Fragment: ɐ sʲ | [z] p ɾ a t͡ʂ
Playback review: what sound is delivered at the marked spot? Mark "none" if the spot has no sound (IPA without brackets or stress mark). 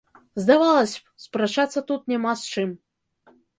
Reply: s